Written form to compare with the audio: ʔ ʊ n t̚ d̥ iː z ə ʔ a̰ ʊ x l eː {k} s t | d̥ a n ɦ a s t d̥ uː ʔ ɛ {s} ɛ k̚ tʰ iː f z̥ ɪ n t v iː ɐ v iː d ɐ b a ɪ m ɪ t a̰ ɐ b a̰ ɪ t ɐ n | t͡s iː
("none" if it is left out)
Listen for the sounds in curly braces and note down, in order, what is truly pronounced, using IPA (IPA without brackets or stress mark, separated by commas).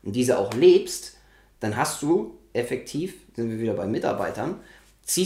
p, f